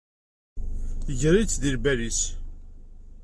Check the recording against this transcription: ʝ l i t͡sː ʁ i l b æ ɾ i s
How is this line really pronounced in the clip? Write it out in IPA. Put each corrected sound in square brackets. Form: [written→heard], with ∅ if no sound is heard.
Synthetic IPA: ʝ [l→ɾ] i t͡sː [ʁ→ð] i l b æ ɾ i s